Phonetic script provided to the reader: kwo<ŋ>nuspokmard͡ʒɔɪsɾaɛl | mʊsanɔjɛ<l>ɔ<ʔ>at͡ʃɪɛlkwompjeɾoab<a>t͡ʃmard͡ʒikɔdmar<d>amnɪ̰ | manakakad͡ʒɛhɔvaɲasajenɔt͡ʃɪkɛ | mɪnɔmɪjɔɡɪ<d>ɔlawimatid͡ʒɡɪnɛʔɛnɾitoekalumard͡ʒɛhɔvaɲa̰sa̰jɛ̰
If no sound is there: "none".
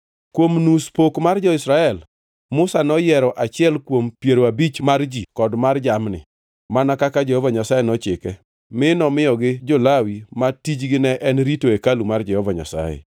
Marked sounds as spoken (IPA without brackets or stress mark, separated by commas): m, ɾ, ʔ, i, d͡ʒ, d͡ʒ